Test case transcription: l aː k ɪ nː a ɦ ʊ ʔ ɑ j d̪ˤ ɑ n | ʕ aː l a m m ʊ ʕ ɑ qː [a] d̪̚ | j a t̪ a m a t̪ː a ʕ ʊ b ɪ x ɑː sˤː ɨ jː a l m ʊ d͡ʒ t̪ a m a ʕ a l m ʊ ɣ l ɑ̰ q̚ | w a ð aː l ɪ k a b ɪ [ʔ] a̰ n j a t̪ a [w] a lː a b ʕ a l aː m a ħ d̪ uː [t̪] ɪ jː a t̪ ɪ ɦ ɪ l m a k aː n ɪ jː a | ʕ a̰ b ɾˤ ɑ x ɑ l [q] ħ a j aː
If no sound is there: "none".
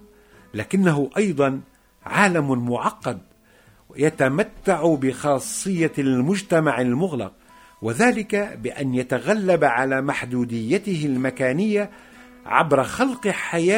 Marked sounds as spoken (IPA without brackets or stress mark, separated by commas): ɑ, ʔ, ɣ, d̪, q